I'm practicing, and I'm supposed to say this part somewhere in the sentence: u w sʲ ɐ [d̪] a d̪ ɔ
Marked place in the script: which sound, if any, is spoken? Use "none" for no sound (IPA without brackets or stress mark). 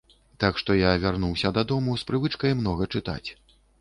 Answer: d̪